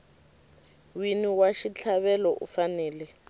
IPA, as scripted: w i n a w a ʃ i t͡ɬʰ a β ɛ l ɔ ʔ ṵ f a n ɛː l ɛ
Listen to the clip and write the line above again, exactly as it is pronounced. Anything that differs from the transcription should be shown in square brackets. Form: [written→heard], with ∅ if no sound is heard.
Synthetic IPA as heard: w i n [a→i] w a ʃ i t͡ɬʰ a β ɛ l ɔ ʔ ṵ f a n ɛː l ɛ